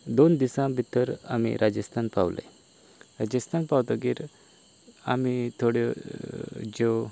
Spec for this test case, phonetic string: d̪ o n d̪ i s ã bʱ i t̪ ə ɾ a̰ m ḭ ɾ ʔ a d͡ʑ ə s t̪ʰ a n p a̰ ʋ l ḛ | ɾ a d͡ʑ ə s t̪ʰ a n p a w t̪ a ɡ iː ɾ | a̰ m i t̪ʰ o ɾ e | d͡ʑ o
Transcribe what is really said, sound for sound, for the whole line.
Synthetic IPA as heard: d̪ o n d̪ i s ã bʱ i t̪ ə ɾ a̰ m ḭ ɾ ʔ a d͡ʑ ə s t̪ʰ a n p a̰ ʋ l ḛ | ɾ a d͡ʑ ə s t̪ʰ a n p a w t̪ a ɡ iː ɾ | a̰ m i t̪ʰ o ɽ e | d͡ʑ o

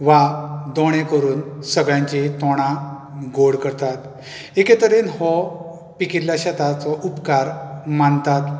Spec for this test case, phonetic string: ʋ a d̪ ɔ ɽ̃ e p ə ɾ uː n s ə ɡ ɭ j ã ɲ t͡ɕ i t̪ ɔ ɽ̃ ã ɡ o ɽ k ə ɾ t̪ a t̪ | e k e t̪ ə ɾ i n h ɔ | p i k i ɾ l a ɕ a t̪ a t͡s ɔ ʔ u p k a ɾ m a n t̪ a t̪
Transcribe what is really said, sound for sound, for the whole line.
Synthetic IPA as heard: ʋ a d̪ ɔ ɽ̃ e k ə ɾ uː n s ə ɡ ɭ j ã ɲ t͡ɕ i t̪ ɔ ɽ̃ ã ɡ o ɽ k ə ɾ t̪ a t̪ | e k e t̪ ə ɾ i n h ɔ | p i k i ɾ l a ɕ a t̪ a t͡s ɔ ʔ u p k a ɾ m a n t̪ a t̪

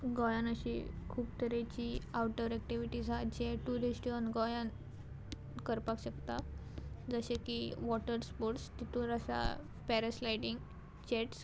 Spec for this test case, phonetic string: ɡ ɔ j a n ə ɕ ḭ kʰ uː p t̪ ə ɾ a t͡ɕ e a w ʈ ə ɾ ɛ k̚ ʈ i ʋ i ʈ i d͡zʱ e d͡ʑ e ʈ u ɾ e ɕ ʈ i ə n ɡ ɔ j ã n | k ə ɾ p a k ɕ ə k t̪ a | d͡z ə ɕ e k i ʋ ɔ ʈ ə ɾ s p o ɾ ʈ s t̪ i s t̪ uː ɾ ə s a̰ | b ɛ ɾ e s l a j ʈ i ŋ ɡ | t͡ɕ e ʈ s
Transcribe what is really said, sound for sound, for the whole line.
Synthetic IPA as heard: ɡ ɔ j a n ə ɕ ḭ kʰ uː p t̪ ə ɾ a t͡ɕ i a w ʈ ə ɾ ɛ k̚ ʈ i ʋ i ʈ i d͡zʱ a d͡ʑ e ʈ u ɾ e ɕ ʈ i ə n ɡ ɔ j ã n | k ə ɾ p a k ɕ ə k t̪ a | d͡z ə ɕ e k i ʋ ɔ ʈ ə ɾ s p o ɾ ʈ s t̪ i t̪ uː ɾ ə s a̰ | p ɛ ɾ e s l a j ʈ i ŋ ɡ | t͡ɕ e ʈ s

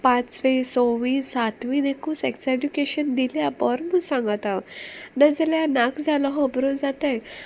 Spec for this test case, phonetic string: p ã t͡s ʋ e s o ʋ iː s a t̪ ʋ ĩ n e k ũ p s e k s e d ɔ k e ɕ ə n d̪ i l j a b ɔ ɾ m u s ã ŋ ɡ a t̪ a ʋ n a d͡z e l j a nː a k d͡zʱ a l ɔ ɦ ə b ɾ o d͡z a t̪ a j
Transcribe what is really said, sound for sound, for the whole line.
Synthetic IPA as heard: p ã t͡s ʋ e s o ʋ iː s a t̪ ʋ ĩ n e k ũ s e k s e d u k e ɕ ə n d̪ i l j a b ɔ ɾ m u s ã ŋ ɡ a t̪ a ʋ n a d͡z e l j a n a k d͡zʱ a l ɔ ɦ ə b ɾ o d͡z a t̪ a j

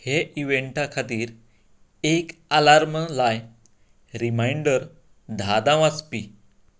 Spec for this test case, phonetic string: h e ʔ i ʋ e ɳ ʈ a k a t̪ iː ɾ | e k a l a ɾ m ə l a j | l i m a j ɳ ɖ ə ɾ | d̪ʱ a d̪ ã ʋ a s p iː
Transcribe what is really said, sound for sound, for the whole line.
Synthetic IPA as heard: h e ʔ i ʋ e ɳ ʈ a kʰ a t̪ iː ɾ | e k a l a ɾ m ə l a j | ɾ i m a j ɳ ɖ ə ɾ | d̪ʱ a d̪ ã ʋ a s p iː

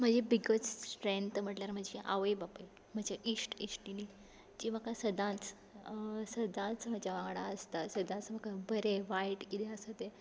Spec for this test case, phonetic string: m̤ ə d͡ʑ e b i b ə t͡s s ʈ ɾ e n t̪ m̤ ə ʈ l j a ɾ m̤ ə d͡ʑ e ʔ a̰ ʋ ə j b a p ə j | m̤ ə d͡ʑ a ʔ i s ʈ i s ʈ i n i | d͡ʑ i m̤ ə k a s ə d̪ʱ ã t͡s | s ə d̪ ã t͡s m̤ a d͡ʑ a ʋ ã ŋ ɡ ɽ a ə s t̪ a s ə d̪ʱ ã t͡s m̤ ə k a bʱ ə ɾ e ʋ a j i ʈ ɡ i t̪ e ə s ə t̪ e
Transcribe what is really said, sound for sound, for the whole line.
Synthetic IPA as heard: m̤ ə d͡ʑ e b i ɡ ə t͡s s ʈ ɾ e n t̪ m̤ ə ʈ l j a ɾ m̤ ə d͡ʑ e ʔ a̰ ʋ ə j b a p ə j | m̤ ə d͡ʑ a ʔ i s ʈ i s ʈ i n i | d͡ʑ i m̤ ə k a s ə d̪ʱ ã t͡s | s ə d̪ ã t͡s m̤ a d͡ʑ a ʋ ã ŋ ɡ ɽ a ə s t̪ a s ə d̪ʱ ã t͡s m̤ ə k a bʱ ə ɾ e ʋ a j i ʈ k i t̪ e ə s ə t̪ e

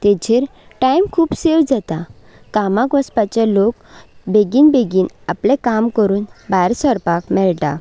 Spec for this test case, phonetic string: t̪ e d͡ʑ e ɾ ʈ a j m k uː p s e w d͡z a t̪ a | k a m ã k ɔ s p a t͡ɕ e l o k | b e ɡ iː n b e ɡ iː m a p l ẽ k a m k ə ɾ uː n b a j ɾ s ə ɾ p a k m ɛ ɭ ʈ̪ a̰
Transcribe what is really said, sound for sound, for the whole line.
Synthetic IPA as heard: t̪ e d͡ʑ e ɾ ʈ a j m kʰ uː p s e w d͡z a t̪ a | k a m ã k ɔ s p a t͡ɕ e l o k | b e ɡ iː n b e ɡ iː n a p l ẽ k a m k ə ɾ uː n b a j ɾ s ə ɾ p a k m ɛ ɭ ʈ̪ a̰

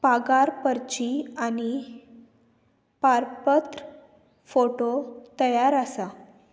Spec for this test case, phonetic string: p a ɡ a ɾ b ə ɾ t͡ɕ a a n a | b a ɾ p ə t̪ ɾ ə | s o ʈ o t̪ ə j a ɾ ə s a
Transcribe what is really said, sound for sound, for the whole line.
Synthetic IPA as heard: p a ɡ a ɾ p ə ɾ t͡ɕ i a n i | p a ɾ p ə t̪ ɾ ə | f o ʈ o t̪ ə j a ɾ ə s a

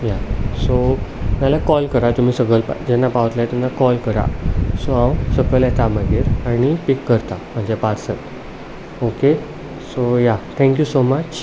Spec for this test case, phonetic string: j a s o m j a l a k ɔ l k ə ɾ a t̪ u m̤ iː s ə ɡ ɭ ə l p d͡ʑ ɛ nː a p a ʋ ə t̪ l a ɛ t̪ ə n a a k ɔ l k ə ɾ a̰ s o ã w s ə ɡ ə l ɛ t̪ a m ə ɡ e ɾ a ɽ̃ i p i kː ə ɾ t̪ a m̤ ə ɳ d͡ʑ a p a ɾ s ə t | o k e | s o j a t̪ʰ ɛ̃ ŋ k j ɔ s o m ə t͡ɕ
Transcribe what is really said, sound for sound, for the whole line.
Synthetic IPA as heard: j a s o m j a l a k ɔ l k ə ɾ a t̪ u m̤ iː s ə ɡ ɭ ə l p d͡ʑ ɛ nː a p a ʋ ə t̪ l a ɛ t̪ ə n a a k ɔ l k ə ɾ a̰ s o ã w s ə ɡ ə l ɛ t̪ a m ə ɡ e ɾ a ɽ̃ i p i kː ə ɾ t̪ a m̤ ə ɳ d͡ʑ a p a ɾ s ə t | o k e | s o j a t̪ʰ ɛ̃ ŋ k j u s o m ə t͡ɕ

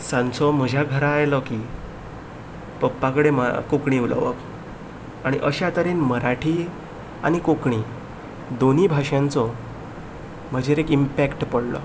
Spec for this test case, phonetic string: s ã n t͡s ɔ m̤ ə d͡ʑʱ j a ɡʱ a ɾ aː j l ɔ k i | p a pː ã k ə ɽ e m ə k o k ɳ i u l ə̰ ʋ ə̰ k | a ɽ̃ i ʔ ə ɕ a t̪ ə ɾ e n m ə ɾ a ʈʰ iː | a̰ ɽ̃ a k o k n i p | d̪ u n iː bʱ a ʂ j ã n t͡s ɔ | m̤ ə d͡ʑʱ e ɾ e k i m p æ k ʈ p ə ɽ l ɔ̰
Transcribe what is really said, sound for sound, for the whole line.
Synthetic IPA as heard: s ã n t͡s ɔ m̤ ə d͡ʑʱ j a ɡʱ ə ɾ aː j l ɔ k i | p ə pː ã k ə ɽ e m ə k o k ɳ i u l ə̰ ʋ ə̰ k | a ɽ̃ i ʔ ə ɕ a t̪ ə ɾ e n m ə ɾ a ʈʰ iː | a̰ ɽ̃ i k o k ɳ i | d̪ o n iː bʱ a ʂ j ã n t͡s ɔ | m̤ ə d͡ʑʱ e ɾ e k i m p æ k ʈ p ə ɽ l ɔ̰

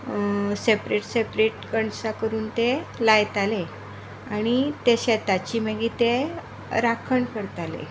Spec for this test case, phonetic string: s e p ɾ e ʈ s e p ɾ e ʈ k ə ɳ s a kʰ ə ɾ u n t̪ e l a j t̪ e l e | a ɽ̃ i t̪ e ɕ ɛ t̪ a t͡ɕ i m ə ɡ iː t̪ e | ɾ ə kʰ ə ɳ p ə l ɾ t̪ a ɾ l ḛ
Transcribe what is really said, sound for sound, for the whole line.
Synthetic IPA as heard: s e p ɾ e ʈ s e p ɾ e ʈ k ə ɳ s a k ə ɾ uː n t̪ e l a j t̪ a l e | a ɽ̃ i t̪ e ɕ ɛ t̪ a t͡ɕ i m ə ɡ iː t̪ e | ɾ a kʰ ə ɳ k ə ɾ t̪ a l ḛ

